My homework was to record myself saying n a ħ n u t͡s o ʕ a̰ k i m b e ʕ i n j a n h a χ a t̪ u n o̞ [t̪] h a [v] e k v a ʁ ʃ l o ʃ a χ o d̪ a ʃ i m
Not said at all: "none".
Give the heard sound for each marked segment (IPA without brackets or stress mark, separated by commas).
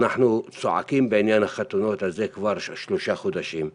t̪, z